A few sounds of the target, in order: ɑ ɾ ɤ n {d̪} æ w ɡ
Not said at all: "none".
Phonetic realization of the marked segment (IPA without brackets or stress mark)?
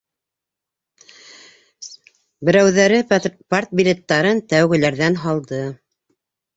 t̪